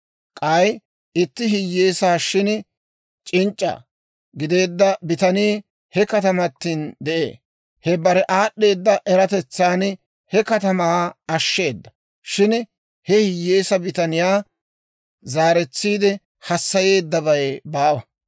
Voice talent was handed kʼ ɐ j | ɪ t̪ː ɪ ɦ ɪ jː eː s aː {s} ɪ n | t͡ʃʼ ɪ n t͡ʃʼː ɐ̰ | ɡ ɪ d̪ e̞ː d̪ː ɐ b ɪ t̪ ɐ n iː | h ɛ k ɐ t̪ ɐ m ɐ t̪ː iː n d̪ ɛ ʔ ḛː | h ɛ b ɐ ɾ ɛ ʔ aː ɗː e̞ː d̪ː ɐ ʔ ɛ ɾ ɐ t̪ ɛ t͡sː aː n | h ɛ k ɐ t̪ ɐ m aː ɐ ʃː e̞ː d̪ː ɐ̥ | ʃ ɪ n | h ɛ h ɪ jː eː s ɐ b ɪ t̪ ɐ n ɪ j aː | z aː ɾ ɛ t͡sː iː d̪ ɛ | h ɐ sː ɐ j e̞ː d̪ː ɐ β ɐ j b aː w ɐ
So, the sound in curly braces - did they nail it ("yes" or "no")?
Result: no